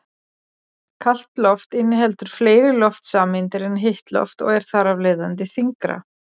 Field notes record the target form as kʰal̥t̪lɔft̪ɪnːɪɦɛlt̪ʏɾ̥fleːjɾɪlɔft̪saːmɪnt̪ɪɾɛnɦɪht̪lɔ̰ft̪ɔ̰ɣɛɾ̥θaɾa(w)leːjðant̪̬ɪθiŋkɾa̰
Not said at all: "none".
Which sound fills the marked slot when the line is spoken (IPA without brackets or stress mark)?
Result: v